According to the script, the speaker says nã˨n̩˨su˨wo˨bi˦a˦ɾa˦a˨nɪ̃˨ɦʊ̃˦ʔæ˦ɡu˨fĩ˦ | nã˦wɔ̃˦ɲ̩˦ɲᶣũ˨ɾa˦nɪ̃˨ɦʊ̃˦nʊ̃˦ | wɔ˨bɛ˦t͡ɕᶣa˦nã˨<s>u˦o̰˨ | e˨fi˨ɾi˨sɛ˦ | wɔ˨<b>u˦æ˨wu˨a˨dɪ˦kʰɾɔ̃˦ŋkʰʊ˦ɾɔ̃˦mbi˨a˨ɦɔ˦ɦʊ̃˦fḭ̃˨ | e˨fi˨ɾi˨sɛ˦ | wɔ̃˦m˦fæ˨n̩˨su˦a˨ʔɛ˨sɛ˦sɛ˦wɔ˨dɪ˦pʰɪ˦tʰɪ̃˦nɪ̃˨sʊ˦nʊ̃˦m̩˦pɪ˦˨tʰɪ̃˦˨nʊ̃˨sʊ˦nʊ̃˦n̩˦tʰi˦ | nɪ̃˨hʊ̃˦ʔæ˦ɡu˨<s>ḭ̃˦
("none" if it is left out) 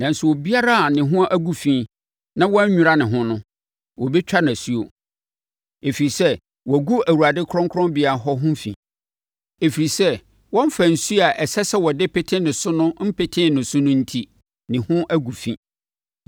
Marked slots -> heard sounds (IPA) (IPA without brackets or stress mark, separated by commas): s, ɡ, f